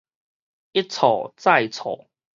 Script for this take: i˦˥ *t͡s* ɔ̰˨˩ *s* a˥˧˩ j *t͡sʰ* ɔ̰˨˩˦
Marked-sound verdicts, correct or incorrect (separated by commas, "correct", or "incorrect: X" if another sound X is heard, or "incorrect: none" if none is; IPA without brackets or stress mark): incorrect: t͡sʰ, incorrect: t͡s, correct